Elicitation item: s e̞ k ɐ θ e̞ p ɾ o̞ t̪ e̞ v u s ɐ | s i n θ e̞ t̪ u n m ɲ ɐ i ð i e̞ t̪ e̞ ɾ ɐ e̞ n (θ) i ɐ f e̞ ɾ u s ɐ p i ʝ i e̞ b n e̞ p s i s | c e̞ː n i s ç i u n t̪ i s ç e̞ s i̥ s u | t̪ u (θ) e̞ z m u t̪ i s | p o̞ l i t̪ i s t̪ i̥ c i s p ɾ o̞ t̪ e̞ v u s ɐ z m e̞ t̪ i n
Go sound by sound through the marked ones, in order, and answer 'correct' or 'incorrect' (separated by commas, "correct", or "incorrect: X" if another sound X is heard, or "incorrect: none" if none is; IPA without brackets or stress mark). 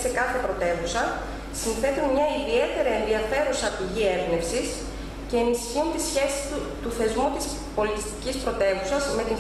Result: incorrect: ð, correct